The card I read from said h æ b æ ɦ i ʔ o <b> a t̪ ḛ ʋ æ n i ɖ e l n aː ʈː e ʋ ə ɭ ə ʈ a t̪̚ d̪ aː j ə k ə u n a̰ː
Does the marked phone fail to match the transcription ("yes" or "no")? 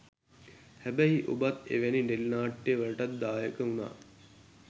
no